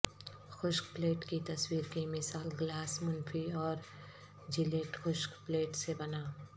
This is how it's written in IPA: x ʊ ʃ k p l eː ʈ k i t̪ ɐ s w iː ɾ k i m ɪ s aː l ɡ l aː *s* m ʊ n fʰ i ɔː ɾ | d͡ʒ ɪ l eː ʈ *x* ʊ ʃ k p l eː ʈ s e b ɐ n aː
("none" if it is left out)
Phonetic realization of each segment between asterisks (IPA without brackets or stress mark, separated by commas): s, x